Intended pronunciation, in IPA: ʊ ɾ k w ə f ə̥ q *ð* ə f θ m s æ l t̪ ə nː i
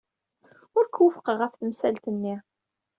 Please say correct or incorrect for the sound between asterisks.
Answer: incorrect: ʁ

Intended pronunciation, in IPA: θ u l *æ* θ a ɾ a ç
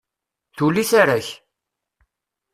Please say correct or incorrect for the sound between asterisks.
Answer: incorrect: i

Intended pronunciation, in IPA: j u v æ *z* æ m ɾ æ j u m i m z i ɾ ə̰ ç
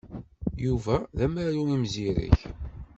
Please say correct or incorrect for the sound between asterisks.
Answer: incorrect: ð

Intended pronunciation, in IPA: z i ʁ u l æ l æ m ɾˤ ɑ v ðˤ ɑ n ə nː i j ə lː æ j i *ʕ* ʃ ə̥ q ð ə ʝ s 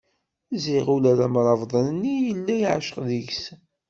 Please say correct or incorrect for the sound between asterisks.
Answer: correct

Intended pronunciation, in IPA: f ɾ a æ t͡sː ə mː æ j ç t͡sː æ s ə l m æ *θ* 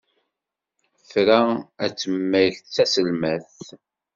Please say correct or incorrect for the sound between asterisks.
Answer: correct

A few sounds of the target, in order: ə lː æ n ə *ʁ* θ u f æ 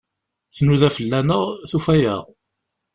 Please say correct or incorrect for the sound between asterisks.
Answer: correct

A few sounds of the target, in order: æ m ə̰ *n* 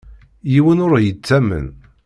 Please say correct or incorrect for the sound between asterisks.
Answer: correct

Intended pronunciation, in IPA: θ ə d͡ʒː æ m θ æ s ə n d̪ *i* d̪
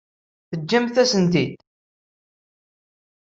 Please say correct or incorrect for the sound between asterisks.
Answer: correct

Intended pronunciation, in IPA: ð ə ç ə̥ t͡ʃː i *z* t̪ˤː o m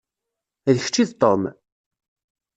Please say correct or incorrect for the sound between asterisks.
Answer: incorrect: ð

